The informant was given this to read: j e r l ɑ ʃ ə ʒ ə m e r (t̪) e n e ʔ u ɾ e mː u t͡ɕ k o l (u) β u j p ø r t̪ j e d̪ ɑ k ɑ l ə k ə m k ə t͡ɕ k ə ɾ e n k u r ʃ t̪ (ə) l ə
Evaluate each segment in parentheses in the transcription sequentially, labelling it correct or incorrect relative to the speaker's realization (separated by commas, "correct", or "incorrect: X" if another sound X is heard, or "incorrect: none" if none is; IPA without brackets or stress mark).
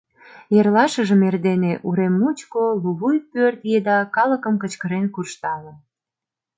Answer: incorrect: d̪, correct, incorrect: ɑ